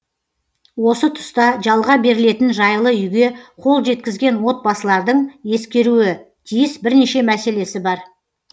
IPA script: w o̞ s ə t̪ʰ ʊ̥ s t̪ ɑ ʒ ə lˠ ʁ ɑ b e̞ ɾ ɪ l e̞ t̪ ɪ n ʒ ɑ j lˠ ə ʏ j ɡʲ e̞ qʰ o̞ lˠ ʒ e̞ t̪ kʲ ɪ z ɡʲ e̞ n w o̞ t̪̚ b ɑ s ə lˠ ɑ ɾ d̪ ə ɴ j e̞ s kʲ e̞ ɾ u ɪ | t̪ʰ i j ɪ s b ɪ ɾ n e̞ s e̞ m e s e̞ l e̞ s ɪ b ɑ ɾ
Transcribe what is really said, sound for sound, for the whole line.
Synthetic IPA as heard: w o̞ s ə t̪ʰ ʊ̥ s t̪ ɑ ʒ ɑ lˠ ʁ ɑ b e̞ ɾ ɪ l e̞ t̪ ɪ n ʒ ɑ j lˠ ə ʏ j ɡʲ e̞ qʰ o̞ lˠ ʒ e̞ t̪ kʲ ɪ z ɡʲ e̞ n w o̞ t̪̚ b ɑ s ə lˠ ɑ ɾ d̪ ə ɴ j e̞ s kʲ e̞ ɾ u ɪ | t̪ʰ i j ɪ s b ɪ ɾ n e̞ ʃ e̞ m æ s e̞ l e̞ s ɪ b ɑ ɾ